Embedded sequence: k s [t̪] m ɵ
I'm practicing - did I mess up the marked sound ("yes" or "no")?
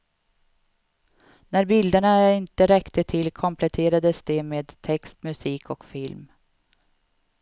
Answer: no